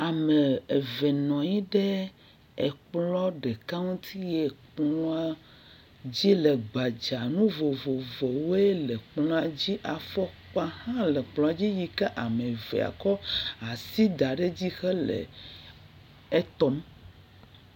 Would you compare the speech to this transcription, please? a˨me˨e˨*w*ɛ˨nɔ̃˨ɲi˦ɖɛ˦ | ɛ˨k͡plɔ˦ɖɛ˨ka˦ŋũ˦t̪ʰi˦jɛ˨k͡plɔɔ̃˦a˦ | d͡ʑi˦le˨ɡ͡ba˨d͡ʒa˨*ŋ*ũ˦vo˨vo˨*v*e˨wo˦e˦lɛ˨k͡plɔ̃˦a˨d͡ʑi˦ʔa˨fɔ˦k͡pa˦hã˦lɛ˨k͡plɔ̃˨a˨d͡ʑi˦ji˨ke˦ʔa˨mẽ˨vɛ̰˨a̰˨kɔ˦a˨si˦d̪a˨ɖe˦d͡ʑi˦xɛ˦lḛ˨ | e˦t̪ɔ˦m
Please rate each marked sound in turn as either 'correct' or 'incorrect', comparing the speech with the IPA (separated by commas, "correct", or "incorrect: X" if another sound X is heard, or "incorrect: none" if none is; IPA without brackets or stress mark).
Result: incorrect: v, incorrect: n, correct